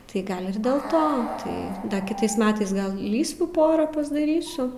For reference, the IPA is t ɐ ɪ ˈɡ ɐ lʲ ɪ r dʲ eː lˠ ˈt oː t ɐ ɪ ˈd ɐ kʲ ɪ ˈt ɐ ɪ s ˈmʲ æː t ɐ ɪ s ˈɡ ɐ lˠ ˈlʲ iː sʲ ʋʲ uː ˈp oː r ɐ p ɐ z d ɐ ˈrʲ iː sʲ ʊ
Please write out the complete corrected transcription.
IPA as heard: t ɐ ɪ ˈɡ ɐ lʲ ɪ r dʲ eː lˠ ˈt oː t ɐ ɪ ˈd ɐ kʲ ɪ ˈt ɐ ɪ s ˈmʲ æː t ɐ ɪ s ˈɡ ɐ lˠ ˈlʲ iː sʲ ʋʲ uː ˈp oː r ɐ p ɐ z d ɐ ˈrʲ iː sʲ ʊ